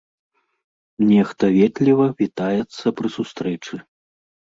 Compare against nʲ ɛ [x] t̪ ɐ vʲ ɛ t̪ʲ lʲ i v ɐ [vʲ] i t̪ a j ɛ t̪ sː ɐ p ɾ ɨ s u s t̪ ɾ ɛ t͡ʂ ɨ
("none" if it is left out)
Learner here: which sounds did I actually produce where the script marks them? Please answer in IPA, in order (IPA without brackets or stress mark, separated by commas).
x, vʲ